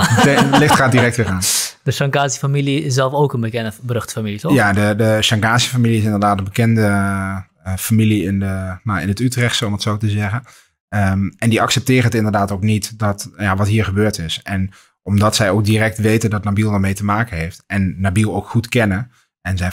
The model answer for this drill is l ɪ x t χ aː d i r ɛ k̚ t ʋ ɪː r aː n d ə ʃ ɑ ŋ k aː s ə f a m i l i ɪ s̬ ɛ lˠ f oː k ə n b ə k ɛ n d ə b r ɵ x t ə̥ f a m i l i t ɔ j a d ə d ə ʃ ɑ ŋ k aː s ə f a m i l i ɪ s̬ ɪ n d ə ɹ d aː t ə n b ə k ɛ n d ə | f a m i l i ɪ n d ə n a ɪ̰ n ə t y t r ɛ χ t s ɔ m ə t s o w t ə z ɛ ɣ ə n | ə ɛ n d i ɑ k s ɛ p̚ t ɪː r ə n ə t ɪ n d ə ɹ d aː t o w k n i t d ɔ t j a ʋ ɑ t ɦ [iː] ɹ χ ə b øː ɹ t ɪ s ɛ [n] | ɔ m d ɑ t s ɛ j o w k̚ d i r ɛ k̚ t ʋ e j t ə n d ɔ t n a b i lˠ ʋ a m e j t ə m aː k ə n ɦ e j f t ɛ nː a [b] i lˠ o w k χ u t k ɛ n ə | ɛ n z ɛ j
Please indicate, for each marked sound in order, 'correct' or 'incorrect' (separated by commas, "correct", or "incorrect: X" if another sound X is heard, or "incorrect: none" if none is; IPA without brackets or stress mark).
correct, correct, correct